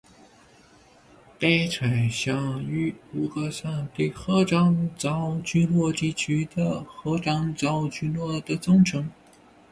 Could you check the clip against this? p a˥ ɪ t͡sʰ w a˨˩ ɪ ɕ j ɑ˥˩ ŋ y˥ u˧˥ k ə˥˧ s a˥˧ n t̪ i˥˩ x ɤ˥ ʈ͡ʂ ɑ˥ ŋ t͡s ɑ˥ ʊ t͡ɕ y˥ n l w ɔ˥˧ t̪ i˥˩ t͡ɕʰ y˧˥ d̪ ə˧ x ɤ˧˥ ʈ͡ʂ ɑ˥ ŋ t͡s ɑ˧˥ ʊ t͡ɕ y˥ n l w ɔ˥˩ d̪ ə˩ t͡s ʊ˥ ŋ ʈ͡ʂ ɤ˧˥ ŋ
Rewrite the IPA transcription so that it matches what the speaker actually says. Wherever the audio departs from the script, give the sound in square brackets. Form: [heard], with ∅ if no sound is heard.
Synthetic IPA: p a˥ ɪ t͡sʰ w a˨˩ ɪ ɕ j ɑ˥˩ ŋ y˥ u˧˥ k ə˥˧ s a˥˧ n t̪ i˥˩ x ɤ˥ ʈ͡ʂ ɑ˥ ŋ t͡s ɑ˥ ʊ t͡ɕ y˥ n l w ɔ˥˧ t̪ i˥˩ t͡ɕʰ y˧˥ d̪ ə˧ x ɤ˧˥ ʈ͡ʂ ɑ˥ ŋ t͡s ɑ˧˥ ʊ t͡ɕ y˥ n l w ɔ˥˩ d̪ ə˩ t͡s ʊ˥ ŋ [ʈ͡ʂʰ] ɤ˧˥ ŋ